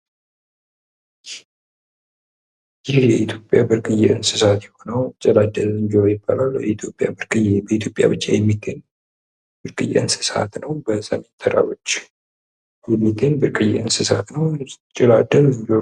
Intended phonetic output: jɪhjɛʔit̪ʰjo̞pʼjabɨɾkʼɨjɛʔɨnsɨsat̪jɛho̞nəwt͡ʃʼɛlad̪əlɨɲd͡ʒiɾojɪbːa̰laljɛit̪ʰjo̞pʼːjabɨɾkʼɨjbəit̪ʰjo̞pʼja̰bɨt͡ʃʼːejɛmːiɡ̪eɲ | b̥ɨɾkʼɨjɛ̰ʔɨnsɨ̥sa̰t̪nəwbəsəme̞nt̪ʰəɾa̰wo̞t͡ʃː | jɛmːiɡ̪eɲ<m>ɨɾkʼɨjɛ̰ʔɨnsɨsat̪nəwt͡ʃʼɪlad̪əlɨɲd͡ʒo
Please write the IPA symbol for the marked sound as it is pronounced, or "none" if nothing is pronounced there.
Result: b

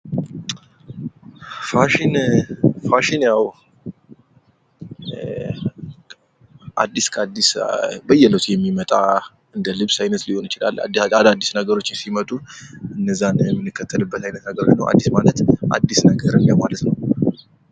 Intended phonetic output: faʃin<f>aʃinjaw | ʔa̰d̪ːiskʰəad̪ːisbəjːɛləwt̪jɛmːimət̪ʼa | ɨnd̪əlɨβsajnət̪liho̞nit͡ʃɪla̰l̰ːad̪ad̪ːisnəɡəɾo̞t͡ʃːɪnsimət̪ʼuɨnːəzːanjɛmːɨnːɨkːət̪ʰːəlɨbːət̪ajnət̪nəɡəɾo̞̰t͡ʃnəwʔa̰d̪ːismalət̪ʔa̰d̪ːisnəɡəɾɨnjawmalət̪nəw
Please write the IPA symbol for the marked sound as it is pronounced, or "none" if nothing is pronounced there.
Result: f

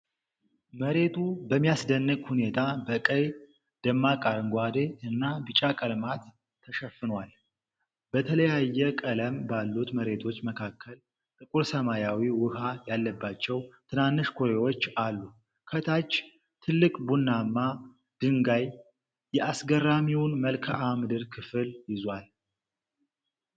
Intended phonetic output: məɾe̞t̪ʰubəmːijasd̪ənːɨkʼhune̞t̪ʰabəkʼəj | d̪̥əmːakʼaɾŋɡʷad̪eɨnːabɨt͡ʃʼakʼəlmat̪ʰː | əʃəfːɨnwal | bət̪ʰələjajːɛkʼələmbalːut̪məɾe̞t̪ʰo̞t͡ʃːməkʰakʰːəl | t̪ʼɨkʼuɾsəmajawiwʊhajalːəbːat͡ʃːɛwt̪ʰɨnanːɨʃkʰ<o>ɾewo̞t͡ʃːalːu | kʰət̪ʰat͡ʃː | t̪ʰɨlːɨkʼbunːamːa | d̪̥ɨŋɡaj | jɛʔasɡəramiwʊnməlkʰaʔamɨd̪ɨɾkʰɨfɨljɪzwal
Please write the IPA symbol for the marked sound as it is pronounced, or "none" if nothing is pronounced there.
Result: o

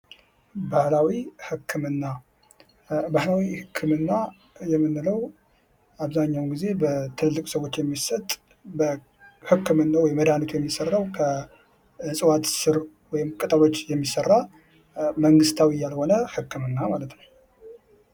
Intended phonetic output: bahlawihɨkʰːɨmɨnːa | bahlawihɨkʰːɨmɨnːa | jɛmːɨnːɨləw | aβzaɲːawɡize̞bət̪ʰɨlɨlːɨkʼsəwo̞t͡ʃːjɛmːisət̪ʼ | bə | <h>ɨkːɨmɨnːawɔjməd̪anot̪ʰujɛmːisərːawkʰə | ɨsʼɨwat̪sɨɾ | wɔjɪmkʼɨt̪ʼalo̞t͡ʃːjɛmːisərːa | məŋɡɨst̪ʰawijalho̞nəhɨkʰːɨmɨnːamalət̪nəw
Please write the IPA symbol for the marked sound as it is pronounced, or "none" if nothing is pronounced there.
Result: h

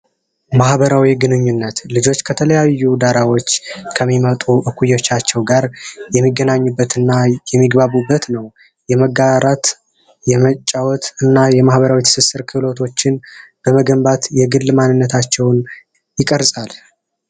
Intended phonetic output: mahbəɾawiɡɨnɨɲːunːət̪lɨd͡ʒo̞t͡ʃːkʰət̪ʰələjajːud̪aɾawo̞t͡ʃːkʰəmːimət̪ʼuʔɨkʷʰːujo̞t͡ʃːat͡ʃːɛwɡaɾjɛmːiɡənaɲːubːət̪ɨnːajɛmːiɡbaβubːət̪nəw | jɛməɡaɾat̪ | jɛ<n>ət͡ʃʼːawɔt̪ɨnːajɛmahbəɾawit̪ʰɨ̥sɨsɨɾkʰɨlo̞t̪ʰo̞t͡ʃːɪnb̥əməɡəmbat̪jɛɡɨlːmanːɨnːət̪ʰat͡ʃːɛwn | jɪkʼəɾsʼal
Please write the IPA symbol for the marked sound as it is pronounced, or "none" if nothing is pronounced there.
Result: m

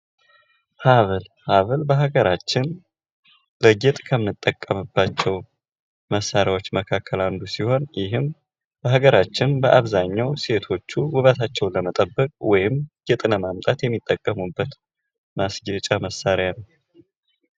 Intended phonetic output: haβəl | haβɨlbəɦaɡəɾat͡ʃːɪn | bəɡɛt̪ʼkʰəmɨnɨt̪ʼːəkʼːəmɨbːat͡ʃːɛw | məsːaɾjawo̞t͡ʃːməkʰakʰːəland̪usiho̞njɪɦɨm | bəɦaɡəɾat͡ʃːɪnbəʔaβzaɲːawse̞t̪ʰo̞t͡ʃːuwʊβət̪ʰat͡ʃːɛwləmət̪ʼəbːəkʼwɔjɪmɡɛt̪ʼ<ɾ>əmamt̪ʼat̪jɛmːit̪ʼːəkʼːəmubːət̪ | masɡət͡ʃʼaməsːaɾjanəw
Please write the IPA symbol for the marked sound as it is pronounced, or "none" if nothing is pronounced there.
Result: l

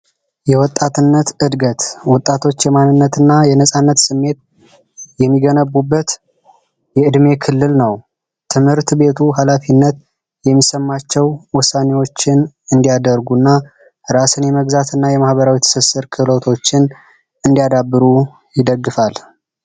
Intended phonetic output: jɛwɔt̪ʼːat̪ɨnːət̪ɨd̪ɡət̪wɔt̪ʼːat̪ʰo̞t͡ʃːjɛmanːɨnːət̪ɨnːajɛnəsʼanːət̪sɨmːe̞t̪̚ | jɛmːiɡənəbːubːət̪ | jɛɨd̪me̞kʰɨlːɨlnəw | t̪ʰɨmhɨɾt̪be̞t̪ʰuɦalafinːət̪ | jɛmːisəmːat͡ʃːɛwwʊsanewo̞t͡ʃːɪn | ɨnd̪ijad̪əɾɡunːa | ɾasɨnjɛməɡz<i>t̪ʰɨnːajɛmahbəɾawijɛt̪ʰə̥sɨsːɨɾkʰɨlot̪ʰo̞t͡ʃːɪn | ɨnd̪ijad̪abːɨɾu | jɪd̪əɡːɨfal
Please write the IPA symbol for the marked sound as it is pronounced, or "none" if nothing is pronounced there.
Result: a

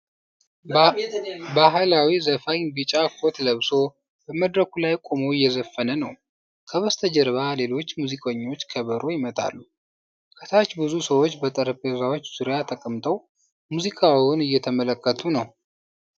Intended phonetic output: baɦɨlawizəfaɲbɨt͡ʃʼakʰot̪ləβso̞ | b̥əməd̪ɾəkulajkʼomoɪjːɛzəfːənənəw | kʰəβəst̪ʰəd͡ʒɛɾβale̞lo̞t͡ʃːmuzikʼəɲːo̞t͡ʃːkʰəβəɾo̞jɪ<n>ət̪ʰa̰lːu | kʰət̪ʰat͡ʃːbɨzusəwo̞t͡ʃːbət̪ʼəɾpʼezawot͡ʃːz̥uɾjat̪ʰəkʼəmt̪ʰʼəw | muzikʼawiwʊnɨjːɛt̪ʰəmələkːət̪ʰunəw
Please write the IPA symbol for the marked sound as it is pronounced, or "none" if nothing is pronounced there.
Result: m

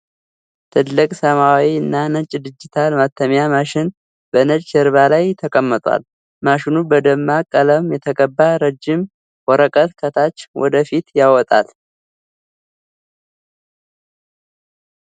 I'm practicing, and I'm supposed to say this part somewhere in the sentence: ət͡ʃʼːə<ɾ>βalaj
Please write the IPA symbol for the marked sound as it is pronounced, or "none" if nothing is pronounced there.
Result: ɾ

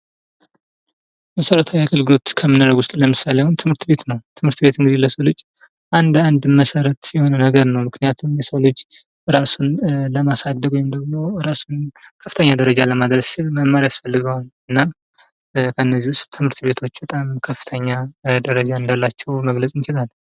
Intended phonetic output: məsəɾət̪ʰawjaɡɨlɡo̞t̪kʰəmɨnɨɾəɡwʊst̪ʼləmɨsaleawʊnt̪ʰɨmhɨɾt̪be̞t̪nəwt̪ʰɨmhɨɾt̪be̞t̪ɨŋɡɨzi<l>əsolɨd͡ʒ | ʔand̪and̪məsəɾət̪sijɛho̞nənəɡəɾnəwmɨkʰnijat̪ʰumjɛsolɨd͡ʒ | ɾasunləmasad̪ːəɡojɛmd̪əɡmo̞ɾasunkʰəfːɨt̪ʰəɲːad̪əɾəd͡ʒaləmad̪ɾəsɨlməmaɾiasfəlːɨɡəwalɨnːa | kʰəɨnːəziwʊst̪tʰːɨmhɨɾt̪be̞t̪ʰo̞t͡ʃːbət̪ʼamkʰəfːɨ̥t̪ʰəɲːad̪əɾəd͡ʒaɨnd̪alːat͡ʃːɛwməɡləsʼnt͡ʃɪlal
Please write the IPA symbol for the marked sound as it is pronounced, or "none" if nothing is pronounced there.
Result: l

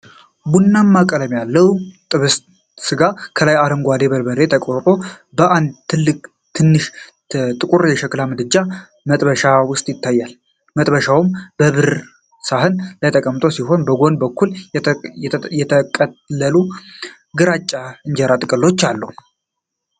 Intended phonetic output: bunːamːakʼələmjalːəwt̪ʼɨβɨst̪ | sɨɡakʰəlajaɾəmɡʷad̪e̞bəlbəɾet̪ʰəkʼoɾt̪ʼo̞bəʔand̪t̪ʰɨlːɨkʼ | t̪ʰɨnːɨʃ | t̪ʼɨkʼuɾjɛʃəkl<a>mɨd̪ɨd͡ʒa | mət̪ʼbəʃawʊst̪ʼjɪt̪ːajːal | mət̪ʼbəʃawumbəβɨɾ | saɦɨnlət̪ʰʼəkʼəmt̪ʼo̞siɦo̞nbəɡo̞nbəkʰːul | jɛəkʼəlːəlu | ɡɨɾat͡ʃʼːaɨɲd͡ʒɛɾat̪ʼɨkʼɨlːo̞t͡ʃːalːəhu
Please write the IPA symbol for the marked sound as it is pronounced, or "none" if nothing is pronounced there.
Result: a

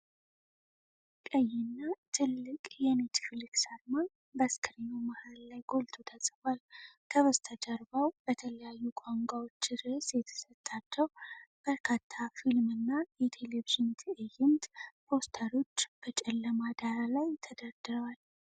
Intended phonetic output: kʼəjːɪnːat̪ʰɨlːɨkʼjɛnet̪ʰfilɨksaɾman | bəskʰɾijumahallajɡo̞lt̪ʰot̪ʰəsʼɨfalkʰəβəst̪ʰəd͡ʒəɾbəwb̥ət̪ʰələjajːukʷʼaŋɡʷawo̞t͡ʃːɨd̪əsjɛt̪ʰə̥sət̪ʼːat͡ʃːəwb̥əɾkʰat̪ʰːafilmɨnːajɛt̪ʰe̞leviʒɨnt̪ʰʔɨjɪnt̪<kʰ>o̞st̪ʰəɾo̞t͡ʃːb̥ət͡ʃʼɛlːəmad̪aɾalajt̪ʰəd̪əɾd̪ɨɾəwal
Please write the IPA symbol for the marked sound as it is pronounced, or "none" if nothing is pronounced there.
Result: pʰ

